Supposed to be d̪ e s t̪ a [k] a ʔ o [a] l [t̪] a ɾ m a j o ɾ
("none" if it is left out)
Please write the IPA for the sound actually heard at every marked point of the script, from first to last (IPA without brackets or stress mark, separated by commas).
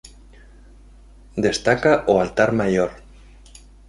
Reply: k, a, t̪